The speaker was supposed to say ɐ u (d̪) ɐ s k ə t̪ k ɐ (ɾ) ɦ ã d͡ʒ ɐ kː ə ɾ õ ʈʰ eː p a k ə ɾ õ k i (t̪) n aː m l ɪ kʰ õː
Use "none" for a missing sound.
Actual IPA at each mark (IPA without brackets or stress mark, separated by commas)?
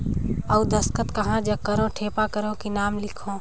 d̪, none, none